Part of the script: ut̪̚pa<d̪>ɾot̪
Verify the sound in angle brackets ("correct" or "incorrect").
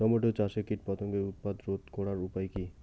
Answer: correct